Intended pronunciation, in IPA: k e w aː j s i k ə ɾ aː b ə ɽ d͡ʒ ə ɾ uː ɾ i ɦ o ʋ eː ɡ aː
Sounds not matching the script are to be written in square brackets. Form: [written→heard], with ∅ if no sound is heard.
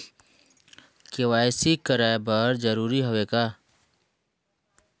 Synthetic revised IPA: k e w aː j s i k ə ɾ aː b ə [ɽ→ɾ] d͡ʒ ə ɾ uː ɾ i ɦ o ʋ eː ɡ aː